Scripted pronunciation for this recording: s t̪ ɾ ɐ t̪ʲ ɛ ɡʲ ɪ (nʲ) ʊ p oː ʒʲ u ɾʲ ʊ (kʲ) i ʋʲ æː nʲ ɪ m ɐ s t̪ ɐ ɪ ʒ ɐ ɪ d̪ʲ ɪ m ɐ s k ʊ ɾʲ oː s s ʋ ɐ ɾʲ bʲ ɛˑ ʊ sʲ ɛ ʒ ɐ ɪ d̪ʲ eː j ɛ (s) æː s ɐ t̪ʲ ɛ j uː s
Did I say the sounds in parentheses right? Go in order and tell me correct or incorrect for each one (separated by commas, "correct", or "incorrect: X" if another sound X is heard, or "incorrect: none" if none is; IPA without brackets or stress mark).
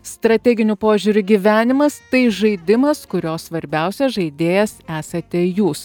correct, incorrect: ɡʲ, correct